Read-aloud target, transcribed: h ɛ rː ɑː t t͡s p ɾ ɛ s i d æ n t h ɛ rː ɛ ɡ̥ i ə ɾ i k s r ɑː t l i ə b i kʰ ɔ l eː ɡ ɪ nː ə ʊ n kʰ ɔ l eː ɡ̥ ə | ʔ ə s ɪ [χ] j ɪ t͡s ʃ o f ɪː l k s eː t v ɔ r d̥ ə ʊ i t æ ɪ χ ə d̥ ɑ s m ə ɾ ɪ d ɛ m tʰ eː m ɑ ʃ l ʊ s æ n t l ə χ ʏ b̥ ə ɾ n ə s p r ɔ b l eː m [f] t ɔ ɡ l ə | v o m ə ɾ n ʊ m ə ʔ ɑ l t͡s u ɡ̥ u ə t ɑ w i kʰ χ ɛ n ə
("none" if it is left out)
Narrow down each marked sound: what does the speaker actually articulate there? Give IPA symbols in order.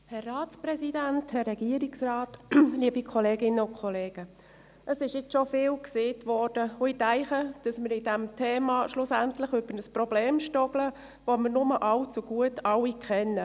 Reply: ʃ, ʃ

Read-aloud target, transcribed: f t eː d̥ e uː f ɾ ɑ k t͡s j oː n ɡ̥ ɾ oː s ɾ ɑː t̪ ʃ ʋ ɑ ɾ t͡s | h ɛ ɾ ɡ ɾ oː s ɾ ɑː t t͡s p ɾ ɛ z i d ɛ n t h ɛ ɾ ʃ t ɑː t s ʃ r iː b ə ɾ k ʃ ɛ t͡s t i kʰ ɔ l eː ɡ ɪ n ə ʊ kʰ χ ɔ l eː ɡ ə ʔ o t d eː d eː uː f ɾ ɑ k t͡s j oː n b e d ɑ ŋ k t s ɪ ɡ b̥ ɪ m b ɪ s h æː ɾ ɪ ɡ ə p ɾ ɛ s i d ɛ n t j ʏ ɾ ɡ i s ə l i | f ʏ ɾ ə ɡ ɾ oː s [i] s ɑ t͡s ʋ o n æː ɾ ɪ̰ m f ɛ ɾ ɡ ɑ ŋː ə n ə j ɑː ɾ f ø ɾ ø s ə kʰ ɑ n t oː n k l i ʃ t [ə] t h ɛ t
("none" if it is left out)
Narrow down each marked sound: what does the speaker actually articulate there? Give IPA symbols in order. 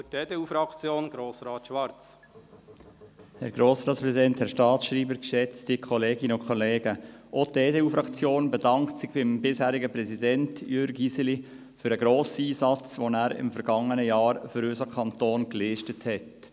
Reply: iː, ə

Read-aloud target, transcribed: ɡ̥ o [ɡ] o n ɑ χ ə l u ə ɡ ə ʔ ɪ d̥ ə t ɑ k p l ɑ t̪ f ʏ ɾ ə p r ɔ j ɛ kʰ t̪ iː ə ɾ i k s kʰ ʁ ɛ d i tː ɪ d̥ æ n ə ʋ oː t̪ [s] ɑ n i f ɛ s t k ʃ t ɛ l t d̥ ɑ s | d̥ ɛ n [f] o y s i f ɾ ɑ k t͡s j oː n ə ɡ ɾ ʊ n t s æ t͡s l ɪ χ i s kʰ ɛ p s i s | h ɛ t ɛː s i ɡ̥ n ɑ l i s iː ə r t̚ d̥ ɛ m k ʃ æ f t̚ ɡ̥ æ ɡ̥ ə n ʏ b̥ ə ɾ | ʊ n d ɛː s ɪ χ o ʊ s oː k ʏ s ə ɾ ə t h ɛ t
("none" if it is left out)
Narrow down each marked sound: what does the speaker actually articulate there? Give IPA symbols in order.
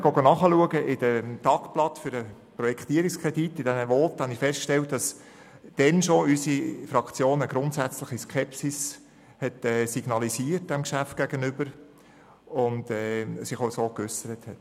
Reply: ɡ, h, ʃ

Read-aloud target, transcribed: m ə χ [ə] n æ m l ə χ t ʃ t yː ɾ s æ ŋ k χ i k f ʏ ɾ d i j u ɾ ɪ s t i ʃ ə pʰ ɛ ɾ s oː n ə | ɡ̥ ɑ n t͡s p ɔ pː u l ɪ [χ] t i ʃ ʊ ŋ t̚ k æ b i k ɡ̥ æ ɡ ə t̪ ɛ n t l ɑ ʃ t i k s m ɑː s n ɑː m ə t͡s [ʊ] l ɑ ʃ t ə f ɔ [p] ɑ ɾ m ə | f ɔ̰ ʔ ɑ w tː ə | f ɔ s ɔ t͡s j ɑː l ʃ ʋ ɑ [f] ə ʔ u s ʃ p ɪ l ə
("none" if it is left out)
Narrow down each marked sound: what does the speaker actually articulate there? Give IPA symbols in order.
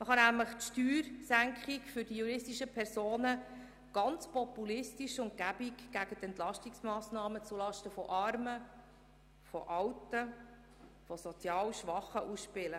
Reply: ɑ, s, u, ʔ, χ

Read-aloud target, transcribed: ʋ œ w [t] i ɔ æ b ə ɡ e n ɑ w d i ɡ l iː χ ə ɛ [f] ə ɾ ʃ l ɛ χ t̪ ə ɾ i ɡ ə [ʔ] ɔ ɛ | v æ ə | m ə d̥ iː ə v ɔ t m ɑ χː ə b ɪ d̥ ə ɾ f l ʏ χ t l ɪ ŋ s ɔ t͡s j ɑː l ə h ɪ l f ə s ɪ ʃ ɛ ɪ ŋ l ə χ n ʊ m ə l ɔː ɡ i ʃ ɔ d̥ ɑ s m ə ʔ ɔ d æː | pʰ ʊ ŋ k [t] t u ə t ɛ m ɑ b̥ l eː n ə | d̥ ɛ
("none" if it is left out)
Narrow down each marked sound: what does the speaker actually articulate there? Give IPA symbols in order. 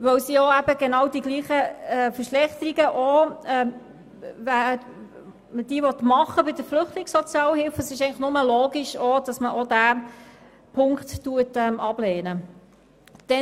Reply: s, f, ʔ, t

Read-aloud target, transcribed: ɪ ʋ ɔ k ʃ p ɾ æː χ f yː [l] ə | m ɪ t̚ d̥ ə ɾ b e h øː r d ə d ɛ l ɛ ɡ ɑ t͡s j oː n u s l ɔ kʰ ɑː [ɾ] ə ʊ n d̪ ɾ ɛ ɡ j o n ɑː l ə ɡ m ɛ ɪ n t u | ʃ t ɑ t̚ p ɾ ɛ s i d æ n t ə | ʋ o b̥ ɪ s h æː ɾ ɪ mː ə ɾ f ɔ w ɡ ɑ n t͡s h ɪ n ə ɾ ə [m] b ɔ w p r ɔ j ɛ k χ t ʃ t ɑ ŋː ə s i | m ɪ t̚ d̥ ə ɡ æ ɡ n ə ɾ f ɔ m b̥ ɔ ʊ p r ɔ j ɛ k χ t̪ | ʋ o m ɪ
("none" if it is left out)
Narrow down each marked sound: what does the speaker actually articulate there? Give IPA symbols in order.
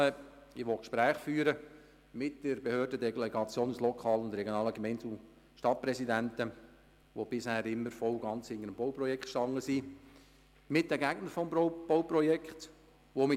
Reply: ɾ, l, m

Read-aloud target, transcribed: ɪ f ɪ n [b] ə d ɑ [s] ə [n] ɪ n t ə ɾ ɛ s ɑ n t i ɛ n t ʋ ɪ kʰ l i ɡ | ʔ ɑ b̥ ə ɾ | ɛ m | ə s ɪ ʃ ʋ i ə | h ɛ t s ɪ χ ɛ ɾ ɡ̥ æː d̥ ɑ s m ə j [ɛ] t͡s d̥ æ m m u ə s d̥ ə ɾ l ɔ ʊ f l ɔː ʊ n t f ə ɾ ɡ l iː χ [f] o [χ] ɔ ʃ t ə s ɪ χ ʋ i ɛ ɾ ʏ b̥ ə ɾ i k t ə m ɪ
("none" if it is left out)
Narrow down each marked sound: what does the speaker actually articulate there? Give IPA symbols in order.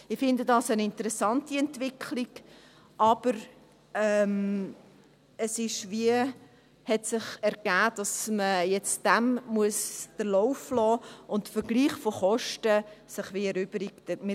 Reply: d, s, n, ɛ, f, χ

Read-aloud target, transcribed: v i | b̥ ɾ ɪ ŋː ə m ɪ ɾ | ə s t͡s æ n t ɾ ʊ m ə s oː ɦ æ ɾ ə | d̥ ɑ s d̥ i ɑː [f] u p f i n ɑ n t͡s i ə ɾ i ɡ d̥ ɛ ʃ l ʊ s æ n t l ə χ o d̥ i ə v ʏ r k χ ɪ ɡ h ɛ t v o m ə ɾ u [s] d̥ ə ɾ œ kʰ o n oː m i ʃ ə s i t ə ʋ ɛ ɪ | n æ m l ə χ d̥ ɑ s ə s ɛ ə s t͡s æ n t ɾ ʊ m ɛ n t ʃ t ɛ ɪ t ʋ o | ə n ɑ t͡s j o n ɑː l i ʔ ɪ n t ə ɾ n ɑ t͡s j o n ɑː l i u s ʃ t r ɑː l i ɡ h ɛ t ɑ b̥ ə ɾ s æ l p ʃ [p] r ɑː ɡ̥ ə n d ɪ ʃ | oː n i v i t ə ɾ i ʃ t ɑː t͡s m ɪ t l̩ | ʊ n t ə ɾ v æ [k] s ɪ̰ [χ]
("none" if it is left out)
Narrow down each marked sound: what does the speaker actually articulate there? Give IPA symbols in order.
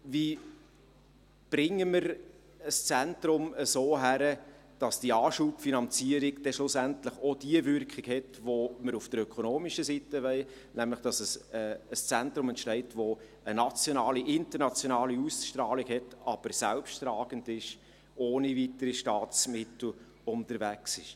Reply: ʃ, f, t, k, ʃ

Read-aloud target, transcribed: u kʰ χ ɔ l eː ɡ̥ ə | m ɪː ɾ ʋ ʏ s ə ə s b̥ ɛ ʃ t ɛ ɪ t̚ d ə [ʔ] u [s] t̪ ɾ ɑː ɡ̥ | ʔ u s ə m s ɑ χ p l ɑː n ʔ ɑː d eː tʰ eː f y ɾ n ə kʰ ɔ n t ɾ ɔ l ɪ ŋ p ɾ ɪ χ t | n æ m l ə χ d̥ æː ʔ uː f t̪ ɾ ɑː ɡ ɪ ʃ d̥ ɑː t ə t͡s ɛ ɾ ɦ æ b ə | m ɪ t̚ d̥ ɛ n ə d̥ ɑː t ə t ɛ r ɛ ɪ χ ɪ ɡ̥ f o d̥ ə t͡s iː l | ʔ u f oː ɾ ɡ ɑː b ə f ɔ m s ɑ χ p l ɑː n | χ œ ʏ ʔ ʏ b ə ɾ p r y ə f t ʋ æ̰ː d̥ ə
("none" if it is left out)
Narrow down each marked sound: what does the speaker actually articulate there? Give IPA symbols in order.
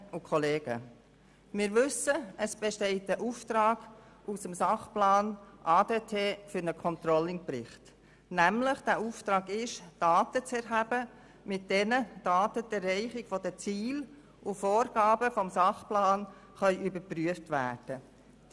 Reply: ʔ, f

